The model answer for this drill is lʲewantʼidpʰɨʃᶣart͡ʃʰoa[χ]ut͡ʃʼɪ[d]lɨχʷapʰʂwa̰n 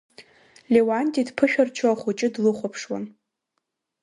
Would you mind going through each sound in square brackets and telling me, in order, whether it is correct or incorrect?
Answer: correct, correct

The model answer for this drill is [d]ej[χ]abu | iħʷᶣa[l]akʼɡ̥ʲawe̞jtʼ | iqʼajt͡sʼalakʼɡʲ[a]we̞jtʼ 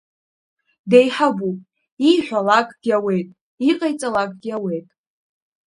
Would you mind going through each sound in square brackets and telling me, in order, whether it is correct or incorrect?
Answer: correct, incorrect: ħ, correct, correct

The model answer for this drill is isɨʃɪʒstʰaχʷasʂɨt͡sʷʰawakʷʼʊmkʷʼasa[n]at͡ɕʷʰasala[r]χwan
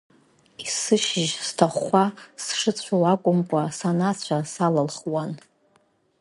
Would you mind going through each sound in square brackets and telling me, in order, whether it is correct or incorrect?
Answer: correct, incorrect: l

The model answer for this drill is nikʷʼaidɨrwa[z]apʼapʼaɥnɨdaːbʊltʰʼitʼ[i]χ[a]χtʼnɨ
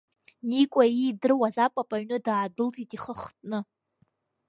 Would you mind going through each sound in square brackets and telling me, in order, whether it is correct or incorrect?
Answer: correct, correct, incorrect: ə

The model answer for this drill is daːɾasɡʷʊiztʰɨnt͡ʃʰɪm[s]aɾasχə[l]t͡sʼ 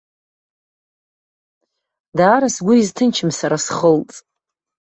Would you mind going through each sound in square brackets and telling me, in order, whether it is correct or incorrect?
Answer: correct, correct

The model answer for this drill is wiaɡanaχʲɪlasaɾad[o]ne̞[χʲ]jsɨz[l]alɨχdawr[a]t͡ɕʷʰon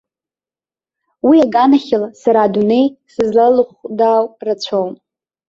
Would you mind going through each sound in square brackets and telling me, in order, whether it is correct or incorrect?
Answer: incorrect: u, incorrect: none, correct, correct

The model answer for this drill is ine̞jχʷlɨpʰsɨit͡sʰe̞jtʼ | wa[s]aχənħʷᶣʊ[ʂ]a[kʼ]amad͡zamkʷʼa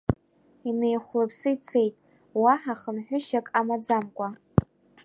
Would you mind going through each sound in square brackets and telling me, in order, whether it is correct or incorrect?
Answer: incorrect: ħ, incorrect: ʃ, correct

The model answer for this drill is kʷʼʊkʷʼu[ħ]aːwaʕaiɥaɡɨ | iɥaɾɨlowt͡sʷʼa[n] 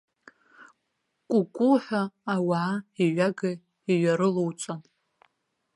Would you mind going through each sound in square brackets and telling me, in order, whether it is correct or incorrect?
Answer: correct, correct

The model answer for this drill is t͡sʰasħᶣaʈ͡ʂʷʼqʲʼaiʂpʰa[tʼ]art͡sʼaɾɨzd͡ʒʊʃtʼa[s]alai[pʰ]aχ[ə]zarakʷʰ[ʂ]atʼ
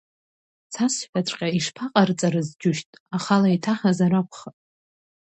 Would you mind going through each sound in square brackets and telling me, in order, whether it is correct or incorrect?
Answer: incorrect: qʼ, incorrect: χ, incorrect: tʰ, incorrect: a, incorrect: χ

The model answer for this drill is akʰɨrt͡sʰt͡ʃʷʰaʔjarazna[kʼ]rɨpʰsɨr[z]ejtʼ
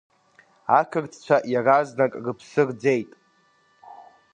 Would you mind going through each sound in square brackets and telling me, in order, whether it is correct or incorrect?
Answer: correct, incorrect: d͡z

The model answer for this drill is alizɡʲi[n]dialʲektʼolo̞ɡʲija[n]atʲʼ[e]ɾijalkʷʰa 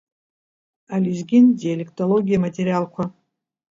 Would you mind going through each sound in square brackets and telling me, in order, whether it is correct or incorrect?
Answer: correct, incorrect: m, correct

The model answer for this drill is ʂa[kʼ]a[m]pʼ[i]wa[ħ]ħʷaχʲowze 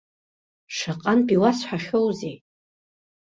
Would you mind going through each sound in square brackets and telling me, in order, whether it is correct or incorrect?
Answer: incorrect: qʼ, incorrect: n, correct, incorrect: s

